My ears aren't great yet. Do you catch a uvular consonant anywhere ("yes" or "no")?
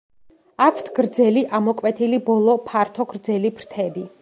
no